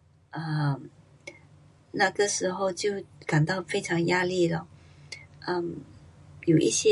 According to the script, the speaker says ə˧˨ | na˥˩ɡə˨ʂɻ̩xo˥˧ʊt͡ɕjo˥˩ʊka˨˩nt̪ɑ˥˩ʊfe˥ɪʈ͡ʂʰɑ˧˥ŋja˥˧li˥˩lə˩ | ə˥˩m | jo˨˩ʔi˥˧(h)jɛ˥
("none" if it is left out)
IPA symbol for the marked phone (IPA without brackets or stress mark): ɕ